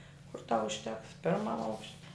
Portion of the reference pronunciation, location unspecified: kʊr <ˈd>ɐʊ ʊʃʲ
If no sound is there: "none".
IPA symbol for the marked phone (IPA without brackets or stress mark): t